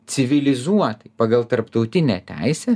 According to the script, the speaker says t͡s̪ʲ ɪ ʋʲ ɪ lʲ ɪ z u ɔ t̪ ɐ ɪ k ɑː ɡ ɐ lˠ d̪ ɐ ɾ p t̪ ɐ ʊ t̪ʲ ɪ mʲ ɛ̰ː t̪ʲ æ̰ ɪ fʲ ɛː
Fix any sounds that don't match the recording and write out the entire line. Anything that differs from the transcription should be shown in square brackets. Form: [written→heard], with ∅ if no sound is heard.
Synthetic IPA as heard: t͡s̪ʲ ɪ ʋʲ ɪ lʲ ɪ z u ɔ t̪ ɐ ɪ [k→p] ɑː ɡ ɐ lˠ [d̪→t̪] ɐ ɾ p t̪ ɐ ʊ t̪ʲ ɪ [mʲ→nʲ] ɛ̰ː t̪ʲ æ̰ ɪ [fʲ→sʲ] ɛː

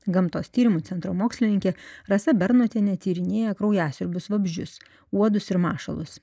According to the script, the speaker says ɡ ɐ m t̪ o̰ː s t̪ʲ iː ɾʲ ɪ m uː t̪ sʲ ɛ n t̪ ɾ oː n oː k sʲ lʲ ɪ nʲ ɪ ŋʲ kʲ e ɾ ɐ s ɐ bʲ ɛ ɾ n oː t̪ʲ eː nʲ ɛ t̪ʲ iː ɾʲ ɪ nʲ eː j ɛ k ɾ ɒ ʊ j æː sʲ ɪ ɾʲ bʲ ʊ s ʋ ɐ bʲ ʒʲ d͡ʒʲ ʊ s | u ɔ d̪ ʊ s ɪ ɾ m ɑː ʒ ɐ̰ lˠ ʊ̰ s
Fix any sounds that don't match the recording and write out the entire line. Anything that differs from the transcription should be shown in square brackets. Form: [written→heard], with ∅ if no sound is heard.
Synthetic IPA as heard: ɡ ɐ m t̪ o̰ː s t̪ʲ iː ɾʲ ɪ m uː t̪ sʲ ɛ n t̪ ɾ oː [n→m] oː k sʲ lʲ ɪ nʲ ɪ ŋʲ kʲ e ɾ ɐ s ɐ bʲ ɛ ɾ n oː t̪ʲ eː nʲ ɛ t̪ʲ iː ɾʲ ɪ nʲ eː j ɛ k ɾ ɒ ʊ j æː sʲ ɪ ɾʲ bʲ ʊ s ʋ ɐ bʲ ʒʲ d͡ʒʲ ʊ s | u ɔ d̪ ʊ s ɪ ɾ m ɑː [ʒ→ʃ] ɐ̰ lˠ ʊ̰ s

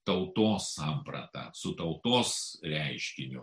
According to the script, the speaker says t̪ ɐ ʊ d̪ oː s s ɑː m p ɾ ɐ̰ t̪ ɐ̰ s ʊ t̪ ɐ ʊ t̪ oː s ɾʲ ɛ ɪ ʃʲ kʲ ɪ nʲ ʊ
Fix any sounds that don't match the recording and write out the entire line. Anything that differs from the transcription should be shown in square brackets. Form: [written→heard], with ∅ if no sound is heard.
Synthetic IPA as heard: t̪ ɐ ʊ [d̪→t̪] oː s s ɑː m p ɾ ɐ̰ t̪ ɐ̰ s ʊ t̪ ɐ ʊ t̪ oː s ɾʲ ɛ ɪ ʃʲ kʲ ɪ nʲ ʊ

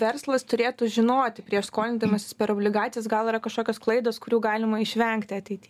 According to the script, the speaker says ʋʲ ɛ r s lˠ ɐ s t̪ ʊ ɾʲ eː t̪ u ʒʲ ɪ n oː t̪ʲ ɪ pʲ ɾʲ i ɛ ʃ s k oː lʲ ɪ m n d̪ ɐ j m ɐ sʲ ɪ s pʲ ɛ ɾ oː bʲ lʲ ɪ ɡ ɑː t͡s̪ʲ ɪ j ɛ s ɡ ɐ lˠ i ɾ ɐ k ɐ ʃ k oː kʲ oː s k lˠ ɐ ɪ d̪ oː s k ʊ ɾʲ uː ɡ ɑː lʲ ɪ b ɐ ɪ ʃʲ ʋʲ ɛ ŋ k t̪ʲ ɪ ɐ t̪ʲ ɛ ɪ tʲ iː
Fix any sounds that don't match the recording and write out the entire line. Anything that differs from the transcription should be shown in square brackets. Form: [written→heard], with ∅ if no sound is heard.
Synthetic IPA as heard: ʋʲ ɛ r s lˠ ɐ s t̪ ʊ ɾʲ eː t̪ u ʒʲ ɪ n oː t̪ʲ ɪ pʲ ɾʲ i ɛ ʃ s k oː lʲ ɪ [m→∅] n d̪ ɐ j m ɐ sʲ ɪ s pʲ ɛ ɾ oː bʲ lʲ ɪ ɡ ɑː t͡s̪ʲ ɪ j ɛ s ɡ ɐ lˠ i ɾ ɐ k ɐ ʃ k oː kʲ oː s k lˠ ɐ ɪ d̪ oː s k ʊ ɾʲ uː ɡ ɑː lʲ ɪ [b→m] ɐ ɪ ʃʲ ʋʲ ɛ ŋ k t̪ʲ ɪ ɐ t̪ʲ ɛ ɪ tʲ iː

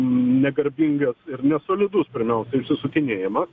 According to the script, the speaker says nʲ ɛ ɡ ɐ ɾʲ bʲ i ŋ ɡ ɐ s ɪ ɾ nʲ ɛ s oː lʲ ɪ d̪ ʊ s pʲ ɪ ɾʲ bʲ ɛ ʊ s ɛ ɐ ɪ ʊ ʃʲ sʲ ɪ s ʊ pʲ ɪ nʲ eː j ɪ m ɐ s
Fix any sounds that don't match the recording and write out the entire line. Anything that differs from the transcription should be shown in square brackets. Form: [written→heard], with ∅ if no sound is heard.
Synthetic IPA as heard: nʲ ɛ ɡ ɐ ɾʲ bʲ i ŋ ɡ ɐ s ɪ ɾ nʲ ɛ s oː lʲ ɪ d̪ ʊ s pʲ ɪ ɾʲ [bʲ→mʲ] ɛ ʊ s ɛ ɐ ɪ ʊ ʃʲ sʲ ɪ s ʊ [pʲ→kʲ] ɪ nʲ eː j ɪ m ɐ s

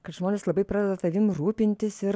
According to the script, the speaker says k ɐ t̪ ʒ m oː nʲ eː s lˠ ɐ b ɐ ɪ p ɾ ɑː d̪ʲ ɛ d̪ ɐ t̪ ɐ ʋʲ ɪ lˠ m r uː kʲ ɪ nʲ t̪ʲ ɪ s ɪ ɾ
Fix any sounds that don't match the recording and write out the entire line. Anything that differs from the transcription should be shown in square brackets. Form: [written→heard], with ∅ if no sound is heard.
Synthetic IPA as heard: k ɐ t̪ ʒ m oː nʲ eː s lˠ ɐ b ɐ ɪ p ɾ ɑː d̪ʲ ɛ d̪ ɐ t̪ ɐ ʋʲ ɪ [lˠ→∅] m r uː [kʲ→pʲ] ɪ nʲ t̪ʲ ɪ s ɪ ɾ

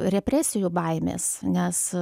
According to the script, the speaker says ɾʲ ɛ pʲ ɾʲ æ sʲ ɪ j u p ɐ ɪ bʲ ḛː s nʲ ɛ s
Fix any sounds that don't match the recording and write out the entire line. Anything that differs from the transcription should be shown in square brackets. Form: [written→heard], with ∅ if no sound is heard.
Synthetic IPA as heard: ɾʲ ɛ pʲ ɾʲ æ sʲ ɪ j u [p→b] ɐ ɪ [bʲ→mʲ] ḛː s nʲ ɛ s

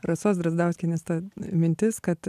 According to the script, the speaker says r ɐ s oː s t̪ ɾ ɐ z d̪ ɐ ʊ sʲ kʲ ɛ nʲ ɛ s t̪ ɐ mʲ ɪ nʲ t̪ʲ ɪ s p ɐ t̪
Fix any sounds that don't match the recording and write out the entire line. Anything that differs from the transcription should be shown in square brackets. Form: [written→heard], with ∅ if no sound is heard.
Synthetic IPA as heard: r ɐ s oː s [t̪→d̪] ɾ ɐ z d̪ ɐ ʊ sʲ kʲ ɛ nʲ ɛ s t̪ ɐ mʲ ɪ nʲ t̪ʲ ɪ s [p→k] ɐ t̪

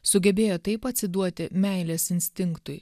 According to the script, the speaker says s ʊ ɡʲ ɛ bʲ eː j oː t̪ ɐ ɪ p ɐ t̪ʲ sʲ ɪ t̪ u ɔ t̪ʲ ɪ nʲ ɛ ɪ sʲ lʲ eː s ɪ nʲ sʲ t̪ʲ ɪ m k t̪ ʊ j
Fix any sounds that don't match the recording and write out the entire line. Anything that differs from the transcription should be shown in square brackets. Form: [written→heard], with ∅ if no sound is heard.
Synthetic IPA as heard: s ʊ ɡʲ ɛ bʲ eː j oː t̪ ɐ ɪ p ɐ t̪ʲ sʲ ɪ [t̪→d̪] u ɔ t̪ʲ ɪ [nʲ→mʲ] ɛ ɪ [sʲ→∅] lʲ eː s ɪ nʲ sʲ t̪ʲ ɪ [m→ŋ] k t̪ ʊ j

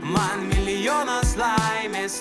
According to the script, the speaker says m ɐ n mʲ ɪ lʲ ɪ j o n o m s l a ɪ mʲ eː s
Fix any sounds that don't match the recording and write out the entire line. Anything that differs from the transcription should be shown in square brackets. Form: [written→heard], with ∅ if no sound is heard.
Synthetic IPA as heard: m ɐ n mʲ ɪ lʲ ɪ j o n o [m→∅] s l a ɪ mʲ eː s

